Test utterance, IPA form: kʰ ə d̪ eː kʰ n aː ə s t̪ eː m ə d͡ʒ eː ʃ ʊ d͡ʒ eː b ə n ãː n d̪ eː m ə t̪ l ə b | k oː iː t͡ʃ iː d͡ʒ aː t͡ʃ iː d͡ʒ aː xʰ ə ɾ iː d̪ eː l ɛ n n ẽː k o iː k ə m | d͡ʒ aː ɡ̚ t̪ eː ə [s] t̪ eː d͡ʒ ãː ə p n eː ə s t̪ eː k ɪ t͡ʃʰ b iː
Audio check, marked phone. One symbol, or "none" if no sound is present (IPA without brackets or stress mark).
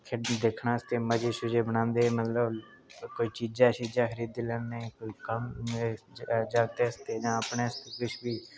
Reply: s